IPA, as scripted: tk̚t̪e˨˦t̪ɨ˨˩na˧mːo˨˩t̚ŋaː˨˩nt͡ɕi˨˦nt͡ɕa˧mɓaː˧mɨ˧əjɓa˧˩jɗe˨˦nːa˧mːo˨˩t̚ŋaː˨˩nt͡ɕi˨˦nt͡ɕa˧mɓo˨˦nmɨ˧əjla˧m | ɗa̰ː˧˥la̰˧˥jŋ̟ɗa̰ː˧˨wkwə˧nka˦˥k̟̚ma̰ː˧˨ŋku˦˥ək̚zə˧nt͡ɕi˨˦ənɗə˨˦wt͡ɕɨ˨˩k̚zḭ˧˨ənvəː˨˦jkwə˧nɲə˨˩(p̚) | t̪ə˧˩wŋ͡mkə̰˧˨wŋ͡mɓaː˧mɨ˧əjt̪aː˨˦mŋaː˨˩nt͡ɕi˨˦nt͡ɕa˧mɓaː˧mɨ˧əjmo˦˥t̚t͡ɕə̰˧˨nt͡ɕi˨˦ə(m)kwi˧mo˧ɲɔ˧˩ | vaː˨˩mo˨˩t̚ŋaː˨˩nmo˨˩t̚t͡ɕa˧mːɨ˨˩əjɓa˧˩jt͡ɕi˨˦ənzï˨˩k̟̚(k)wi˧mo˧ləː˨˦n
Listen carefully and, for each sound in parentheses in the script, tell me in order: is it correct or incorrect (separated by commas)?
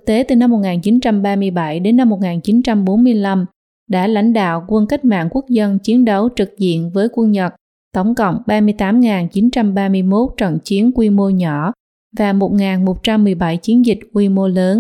incorrect, incorrect, correct